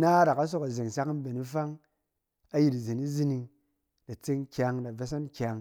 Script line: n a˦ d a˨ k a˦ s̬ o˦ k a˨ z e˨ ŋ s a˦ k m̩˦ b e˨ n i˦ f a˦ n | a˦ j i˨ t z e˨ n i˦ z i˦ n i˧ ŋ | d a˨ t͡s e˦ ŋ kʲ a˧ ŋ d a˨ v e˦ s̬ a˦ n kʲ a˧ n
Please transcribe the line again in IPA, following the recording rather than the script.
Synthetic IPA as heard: n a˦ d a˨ k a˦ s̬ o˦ k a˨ z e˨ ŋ s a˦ k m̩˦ b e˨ n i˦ f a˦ ŋ | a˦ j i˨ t z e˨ n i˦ z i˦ n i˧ ŋ | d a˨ t͡s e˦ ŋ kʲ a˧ ŋ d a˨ v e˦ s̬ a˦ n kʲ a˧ ŋ